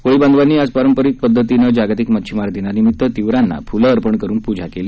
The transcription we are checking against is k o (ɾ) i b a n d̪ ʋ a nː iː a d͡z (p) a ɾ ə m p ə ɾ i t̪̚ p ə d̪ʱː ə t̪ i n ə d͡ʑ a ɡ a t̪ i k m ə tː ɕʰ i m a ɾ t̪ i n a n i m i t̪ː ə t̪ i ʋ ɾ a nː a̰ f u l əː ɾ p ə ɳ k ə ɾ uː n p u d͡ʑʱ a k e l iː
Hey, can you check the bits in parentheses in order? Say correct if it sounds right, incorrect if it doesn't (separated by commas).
incorrect, correct